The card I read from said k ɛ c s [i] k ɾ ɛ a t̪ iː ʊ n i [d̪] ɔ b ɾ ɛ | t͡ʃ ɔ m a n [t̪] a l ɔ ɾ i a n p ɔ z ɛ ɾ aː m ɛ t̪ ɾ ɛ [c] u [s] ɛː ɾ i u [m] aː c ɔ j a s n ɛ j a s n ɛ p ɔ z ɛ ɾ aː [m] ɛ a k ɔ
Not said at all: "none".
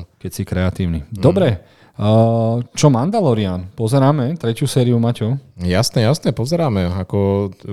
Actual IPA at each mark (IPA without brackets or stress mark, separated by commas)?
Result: i, d̪, d̪, c, s, m, m